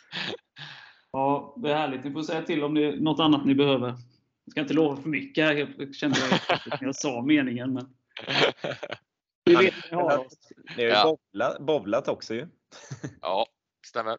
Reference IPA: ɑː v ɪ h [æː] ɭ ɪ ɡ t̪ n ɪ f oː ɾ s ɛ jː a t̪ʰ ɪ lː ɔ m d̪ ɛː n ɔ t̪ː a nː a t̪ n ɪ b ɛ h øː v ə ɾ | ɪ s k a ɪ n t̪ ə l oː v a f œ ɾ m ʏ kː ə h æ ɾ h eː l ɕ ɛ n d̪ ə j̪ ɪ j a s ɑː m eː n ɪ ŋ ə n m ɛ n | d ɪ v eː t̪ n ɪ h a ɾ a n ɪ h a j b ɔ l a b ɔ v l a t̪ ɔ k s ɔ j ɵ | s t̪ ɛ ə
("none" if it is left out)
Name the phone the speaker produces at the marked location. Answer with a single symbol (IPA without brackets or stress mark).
æː